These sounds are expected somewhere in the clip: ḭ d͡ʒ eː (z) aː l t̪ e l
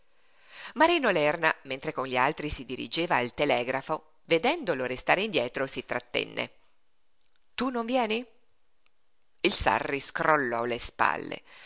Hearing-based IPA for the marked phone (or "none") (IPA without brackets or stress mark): v